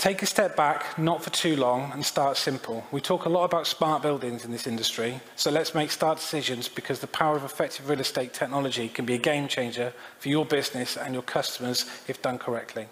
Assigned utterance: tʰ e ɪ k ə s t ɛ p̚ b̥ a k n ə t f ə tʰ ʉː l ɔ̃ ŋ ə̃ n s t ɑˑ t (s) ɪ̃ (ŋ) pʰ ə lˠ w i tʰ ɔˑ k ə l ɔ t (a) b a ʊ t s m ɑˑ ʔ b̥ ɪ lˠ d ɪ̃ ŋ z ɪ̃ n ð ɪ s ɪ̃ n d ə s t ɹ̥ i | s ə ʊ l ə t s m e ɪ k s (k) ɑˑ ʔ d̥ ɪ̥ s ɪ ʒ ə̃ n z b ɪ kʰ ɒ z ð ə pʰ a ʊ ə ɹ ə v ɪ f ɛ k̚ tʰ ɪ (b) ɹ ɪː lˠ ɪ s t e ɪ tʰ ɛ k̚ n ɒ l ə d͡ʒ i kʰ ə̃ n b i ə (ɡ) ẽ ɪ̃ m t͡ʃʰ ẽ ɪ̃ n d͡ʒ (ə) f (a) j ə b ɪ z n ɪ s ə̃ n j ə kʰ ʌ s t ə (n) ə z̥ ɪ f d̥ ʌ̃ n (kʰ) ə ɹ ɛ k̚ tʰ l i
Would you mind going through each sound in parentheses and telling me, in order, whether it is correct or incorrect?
correct, incorrect: m, incorrect: ə, incorrect: t, incorrect: v, correct, correct, incorrect: ə, incorrect: m, correct

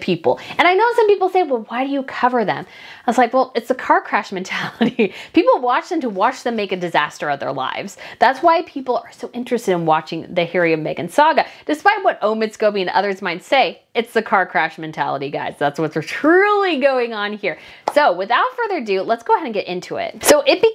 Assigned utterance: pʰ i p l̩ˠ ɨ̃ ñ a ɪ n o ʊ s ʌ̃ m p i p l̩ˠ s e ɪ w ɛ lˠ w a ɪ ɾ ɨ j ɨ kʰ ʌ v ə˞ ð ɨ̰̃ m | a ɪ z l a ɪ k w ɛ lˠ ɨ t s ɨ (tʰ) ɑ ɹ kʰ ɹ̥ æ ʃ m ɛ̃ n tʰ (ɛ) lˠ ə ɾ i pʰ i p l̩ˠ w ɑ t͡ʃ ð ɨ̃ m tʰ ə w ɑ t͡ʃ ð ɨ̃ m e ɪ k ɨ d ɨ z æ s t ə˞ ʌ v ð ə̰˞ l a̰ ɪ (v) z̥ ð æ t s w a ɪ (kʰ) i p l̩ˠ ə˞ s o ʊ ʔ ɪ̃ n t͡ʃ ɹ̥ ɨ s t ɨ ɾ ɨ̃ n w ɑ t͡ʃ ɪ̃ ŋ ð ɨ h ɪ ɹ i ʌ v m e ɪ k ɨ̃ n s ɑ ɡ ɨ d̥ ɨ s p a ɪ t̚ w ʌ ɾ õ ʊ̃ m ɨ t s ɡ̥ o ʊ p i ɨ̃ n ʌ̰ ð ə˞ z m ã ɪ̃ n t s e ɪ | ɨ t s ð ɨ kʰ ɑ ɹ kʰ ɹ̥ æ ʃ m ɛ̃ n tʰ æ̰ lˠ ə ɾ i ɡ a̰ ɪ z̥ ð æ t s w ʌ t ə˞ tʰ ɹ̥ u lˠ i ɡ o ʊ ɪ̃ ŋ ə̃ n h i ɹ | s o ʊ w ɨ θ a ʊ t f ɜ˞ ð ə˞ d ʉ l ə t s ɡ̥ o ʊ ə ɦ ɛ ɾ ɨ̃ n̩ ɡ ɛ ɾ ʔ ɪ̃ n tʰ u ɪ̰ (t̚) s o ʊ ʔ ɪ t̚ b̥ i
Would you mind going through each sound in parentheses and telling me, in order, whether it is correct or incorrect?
incorrect: kʰ, incorrect: æ, correct, incorrect: pʰ, correct

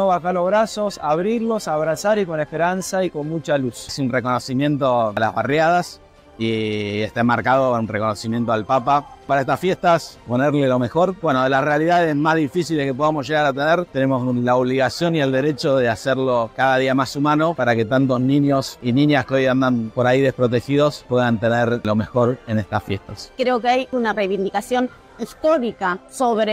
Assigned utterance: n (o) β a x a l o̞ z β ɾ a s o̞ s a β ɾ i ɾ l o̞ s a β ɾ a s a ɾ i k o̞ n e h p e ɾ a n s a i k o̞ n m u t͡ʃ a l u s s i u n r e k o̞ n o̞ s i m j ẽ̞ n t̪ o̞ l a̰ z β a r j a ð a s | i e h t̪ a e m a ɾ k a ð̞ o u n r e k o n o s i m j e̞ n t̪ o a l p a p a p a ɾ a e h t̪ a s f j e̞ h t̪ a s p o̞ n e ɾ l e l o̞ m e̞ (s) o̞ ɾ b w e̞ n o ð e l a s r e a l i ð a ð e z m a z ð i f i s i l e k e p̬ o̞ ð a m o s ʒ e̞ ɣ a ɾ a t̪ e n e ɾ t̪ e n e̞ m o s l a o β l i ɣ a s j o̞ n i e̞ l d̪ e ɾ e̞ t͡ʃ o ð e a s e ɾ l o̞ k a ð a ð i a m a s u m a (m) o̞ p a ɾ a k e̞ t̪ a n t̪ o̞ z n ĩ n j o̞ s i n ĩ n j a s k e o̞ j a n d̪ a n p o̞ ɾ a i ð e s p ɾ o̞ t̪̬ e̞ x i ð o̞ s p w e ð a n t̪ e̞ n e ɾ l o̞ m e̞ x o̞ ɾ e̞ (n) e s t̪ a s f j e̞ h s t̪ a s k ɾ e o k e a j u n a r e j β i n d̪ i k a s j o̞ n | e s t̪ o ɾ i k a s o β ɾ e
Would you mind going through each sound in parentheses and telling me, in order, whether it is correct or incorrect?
correct, incorrect: x, incorrect: n, correct

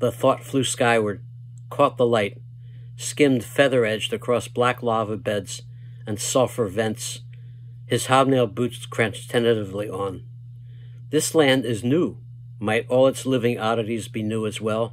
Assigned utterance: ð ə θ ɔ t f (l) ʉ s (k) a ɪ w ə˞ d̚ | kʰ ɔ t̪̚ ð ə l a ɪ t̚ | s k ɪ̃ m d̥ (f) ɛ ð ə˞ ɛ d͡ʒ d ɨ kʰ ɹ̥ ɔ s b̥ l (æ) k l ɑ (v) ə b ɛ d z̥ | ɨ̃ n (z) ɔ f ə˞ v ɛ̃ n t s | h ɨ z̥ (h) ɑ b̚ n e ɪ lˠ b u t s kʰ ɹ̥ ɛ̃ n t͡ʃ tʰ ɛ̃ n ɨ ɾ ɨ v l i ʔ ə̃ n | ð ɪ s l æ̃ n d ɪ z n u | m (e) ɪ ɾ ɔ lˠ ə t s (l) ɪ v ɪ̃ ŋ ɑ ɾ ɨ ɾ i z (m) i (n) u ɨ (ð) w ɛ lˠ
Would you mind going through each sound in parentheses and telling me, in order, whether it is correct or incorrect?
correct, correct, correct, correct, correct, incorrect: s, correct, incorrect: a, correct, incorrect: b, correct, incorrect: z

